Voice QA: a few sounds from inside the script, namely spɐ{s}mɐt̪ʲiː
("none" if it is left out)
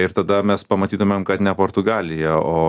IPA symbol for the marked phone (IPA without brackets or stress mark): none